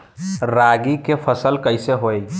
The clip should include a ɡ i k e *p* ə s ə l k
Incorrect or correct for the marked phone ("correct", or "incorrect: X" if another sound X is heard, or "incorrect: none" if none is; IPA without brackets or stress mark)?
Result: incorrect: pʰ